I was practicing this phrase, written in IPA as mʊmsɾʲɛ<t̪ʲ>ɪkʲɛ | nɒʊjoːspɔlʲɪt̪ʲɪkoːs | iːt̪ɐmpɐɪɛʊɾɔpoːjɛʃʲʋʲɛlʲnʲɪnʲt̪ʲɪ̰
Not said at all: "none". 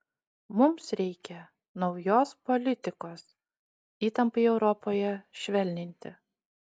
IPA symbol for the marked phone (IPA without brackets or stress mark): none